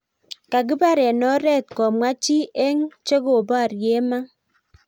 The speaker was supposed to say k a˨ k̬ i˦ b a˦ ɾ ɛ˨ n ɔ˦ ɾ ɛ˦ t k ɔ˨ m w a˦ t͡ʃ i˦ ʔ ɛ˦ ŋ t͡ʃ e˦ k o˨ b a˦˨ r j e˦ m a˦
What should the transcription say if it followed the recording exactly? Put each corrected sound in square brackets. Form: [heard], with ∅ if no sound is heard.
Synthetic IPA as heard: k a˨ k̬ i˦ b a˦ ɾ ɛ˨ n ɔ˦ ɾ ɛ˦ t k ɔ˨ m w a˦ t͡ʃ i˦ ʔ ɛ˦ ŋ t͡ʃ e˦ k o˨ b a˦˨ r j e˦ m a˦